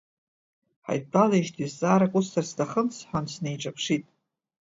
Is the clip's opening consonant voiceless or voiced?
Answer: voiceless